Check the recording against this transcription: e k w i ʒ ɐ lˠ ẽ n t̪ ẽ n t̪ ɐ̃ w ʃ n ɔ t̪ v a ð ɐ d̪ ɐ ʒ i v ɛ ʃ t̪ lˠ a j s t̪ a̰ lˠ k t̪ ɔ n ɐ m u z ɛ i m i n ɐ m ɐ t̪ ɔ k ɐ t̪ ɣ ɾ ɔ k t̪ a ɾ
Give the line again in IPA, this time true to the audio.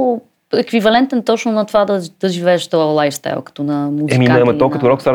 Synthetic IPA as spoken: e k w i v ɐ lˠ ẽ n t̪ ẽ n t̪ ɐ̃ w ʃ n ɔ t̪ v a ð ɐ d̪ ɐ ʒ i v ɛ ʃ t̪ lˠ a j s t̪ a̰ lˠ k t̪ u n ɐ m u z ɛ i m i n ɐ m ɐ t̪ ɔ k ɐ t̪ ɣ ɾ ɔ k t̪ a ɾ